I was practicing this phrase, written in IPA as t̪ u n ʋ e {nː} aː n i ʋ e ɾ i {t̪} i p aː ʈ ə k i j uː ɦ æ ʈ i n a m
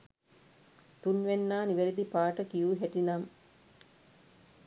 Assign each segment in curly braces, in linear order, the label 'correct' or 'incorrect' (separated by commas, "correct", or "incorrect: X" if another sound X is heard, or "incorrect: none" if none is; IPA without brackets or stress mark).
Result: correct, incorrect: d̪